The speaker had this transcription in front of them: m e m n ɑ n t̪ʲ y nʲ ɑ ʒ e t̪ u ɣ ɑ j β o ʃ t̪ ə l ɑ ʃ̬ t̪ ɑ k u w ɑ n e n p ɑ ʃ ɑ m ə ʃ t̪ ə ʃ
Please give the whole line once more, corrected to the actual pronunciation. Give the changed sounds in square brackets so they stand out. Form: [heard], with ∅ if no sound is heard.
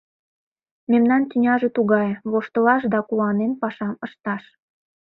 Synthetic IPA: m e m n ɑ n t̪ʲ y nʲ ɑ ʒ e t̪ u ɣ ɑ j β o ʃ t̪ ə l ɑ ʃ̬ [d̪] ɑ k u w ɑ n e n p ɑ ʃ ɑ m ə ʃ t̪ [ɑ] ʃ